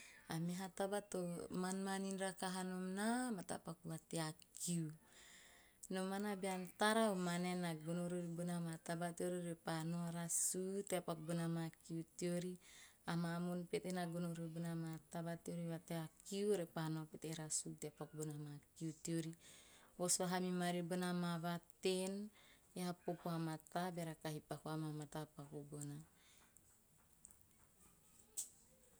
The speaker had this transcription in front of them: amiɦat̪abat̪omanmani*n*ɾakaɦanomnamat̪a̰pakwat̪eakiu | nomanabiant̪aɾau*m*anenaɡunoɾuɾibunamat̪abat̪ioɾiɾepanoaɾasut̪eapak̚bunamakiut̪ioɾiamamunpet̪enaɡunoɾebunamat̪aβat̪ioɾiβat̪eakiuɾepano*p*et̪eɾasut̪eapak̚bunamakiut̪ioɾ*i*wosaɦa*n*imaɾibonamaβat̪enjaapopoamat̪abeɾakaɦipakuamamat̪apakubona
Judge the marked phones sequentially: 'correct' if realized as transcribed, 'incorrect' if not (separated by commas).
correct, correct, correct, correct, incorrect